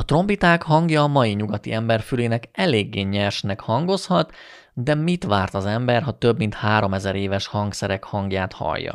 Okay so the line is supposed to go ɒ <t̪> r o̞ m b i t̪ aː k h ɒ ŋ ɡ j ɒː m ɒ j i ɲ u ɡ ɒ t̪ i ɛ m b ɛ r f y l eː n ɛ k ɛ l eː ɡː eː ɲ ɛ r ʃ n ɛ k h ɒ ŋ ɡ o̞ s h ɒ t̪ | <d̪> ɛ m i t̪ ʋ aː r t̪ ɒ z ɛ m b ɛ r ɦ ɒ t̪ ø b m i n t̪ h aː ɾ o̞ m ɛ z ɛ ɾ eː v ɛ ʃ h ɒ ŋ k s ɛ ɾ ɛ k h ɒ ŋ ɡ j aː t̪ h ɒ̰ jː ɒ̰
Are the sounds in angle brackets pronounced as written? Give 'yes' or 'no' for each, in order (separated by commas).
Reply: yes, yes